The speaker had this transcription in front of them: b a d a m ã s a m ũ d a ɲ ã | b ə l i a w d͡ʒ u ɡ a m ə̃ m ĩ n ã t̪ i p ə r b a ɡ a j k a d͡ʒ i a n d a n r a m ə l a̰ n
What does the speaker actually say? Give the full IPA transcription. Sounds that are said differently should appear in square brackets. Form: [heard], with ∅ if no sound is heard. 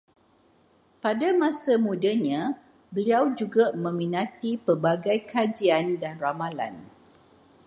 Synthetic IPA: [p] a d a m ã s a m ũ d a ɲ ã | b ə l i a w d͡ʒ u ɡ a m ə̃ m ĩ n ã t̪ i p ə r b a ɡ a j k a d͡ʒ i a n d a n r a m [a] l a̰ n

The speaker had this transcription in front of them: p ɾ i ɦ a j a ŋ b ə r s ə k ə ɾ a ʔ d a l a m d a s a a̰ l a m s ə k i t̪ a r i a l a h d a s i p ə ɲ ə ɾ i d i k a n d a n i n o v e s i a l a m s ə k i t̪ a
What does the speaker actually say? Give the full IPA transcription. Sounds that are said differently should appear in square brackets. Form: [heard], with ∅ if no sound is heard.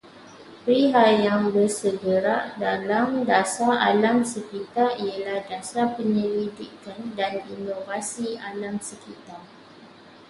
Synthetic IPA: p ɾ i ɦ a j a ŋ b ə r s ə [ɡ] ə ɾ a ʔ d a l a m d a s a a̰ l a m s ə k i t̪ a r i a l a h d a s [a] p ə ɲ ə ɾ i d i k a n d a n i n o v [a] s i a l a m s ə k i t̪ a

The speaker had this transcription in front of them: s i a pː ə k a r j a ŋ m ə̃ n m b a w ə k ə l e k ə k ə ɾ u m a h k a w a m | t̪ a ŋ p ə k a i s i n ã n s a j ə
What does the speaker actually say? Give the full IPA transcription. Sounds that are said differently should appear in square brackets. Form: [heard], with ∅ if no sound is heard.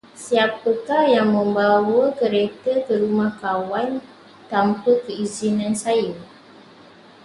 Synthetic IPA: s i a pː ə k a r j a ŋ m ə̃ [∅] m b a w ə k ə [ɾ] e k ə k ə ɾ u m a h k a w a [n] | t̪ a [m] p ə k [ə] i [z] i n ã n s a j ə

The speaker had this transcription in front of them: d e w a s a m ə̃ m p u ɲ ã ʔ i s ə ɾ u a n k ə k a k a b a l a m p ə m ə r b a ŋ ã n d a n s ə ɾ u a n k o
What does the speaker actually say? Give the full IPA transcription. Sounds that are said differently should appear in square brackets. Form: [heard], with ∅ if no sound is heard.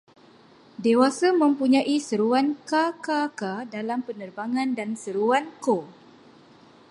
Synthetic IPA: d e w a s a m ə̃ m p u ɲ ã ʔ i s ə ɾ u a n k [a] k a k a [d] a l a m p ə [n] ə r b a ŋ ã n d a n s ə ɾ u a n k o

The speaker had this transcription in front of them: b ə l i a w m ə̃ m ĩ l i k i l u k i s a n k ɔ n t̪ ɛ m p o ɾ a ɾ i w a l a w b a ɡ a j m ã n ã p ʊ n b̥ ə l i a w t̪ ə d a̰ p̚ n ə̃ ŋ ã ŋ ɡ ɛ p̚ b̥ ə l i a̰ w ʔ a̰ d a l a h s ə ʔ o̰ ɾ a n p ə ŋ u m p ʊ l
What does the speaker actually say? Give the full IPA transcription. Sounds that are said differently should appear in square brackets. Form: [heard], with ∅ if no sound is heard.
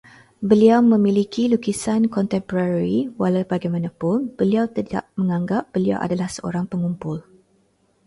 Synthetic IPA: b ə l i a w m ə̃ m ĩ l i k i l u k i s a n k ɔ n t̪ ɛ m p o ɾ a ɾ i w a l a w b a ɡ a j m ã n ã p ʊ n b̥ ə l i a w t̪ ə d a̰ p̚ [m] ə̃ ŋ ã ŋ ɡ [a] p̚ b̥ ə l i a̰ w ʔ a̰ d a l a h s ə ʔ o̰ ɾ a [ŋ] p ə ŋ u m p ʊ l

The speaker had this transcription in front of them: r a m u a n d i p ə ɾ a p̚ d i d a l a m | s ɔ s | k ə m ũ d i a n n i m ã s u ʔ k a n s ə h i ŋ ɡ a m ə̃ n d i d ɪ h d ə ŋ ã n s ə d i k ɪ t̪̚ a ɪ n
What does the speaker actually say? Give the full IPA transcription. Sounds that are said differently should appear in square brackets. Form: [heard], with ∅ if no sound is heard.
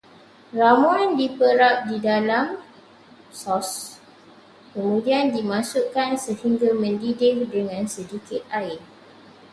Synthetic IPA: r a m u a n d i p ə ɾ a p̚ d i d a l a m | s ɔ s | k ə m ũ d i a n [d] i m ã s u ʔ k a n s ə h i ŋ ɡ a m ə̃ n d i d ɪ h d ə ŋ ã n s ə d i k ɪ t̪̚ a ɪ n

